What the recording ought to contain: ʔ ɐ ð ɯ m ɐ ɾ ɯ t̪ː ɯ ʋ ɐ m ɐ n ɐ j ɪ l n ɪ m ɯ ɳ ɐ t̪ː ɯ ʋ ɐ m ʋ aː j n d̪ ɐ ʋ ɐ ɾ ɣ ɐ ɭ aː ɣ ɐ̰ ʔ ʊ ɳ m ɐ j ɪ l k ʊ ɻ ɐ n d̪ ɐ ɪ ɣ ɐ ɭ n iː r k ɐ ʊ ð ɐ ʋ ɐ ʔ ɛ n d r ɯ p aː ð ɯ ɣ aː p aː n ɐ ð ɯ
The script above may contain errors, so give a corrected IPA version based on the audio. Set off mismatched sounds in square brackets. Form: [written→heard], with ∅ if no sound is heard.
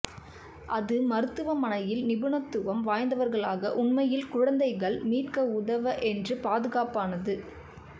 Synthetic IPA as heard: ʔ ɐ ð ɯ m ɐ ɾ ɯ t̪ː ɯ ʋ ɐ m ɐ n ɐ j ɪ l n ɪ [m→b] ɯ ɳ ɐ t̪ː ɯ ʋ ɐ m ʋ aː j n d̪ ɐ ʋ ɐ ɾ ɣ ɐ ɭ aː ɣ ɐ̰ ʔ ʊ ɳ m ɐ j ɪ l k ʊ ɻ ɐ n d̪ ɐ ɪ ɣ ɐ ɭ [n→m] iː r k ɐ ʊ ð ɐ ʋ ɐ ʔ ɛ n d r ɯ p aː ð ɯ ɣ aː p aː n ɐ ð ɯ